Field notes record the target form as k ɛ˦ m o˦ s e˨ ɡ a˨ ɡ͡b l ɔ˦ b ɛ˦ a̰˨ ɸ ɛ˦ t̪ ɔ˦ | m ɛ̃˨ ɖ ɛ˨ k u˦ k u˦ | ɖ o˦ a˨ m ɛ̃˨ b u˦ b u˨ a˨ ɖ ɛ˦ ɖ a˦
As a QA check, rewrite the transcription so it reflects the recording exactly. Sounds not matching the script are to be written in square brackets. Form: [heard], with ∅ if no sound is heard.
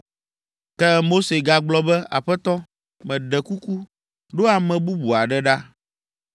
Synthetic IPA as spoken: k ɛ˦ m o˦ s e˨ ɡ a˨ ɡ͡b l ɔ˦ b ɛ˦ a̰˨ ɸ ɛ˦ t̪ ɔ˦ | m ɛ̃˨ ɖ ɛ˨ k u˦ k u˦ | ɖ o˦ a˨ m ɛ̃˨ b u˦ b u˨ a˨ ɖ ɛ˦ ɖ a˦